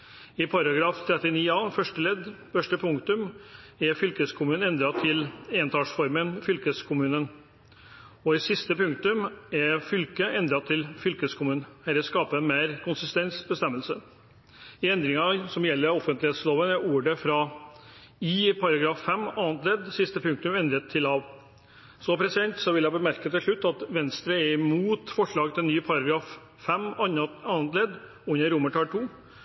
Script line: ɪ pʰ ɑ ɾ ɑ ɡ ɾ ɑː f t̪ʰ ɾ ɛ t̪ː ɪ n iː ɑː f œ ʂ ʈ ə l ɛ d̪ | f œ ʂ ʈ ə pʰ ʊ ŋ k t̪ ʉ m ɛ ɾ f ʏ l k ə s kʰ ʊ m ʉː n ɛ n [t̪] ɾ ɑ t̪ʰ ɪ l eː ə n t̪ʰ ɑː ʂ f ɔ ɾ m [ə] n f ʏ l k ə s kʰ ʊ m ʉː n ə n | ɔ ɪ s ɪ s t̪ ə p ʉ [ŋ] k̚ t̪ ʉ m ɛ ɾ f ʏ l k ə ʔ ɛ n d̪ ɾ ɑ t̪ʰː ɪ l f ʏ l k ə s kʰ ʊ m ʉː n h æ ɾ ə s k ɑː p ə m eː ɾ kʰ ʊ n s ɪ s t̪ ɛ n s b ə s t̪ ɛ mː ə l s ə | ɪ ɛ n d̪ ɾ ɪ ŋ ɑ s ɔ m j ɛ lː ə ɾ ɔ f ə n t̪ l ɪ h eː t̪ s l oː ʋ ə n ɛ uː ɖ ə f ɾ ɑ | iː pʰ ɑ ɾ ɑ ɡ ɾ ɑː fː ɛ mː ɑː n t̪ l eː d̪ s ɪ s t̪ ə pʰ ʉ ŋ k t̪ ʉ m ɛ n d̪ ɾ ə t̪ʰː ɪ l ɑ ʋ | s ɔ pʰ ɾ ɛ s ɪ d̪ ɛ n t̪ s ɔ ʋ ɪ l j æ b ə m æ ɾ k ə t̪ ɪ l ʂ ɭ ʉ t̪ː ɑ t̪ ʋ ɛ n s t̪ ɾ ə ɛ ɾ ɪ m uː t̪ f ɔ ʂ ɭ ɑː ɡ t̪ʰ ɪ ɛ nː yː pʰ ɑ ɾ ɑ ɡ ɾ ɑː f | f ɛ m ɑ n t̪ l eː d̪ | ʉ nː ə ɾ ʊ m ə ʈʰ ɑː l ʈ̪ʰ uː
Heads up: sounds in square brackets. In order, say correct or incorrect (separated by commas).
incorrect, correct, correct